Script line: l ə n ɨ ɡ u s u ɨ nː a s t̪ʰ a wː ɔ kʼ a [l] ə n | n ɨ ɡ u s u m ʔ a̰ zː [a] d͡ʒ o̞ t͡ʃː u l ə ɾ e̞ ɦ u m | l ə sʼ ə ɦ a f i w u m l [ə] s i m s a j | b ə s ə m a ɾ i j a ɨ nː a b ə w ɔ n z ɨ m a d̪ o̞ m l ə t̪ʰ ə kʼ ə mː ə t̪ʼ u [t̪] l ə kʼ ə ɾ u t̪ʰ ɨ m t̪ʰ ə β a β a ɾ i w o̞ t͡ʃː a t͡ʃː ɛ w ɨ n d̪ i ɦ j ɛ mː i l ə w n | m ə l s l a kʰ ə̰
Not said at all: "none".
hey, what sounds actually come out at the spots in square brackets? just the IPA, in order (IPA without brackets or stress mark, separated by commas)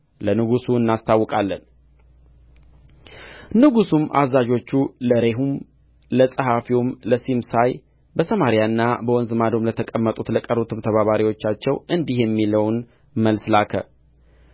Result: lː, a, ə, t̪